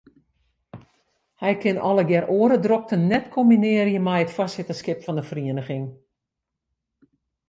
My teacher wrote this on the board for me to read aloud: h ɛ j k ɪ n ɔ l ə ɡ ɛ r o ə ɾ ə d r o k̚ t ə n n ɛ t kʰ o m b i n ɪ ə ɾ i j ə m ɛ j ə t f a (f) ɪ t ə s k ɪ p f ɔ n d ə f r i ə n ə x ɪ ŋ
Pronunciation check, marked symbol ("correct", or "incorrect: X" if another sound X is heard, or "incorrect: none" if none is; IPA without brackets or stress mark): incorrect: s